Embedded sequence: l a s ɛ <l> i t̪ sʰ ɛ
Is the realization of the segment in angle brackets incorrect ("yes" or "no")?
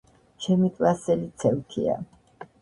no